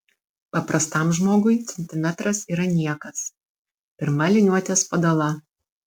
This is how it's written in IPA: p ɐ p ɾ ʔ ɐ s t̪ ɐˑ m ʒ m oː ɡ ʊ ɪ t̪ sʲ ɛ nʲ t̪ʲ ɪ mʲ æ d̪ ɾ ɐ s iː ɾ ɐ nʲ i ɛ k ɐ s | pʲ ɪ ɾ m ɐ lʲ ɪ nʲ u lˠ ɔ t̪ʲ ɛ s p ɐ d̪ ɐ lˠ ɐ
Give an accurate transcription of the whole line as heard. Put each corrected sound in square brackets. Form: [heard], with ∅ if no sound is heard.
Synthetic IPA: p ɐ p ɾ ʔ ɐ s t̪ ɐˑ m ʒ m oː ɡ ʊ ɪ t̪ sʲ ɛ nʲ t̪ʲ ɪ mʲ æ [t̪] ɾ ɐ s iː ɾ ɐ nʲ i ɛ k ɐ s | pʲ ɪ ɾ m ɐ lʲ ɪ nʲ u [∅] ɔ t̪ʲ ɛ s p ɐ d̪ ɐ lˠ ɐ